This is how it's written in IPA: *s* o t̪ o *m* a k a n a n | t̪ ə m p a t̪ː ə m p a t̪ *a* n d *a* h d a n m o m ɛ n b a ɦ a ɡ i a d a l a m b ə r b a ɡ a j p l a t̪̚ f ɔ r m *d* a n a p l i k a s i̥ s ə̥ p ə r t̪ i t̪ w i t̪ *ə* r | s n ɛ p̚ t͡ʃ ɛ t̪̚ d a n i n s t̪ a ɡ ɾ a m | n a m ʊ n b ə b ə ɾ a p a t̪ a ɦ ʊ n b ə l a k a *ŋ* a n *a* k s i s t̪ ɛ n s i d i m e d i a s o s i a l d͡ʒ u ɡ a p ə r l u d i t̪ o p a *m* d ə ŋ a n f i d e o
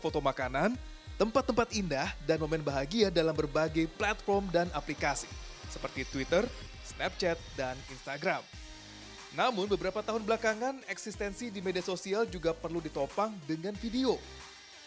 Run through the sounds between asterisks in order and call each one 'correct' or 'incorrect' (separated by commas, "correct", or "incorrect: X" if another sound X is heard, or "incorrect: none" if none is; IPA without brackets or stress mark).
incorrect: f, correct, incorrect: i, correct, correct, correct, correct, incorrect: ɛ, incorrect: ŋ